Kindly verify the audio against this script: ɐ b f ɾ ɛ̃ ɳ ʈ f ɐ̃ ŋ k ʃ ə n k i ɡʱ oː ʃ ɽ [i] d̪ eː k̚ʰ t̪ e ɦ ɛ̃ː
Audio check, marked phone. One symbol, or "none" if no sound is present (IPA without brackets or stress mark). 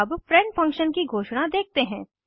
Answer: a